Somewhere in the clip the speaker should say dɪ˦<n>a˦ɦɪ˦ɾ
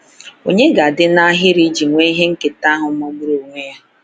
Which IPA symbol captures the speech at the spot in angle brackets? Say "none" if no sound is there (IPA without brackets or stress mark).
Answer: n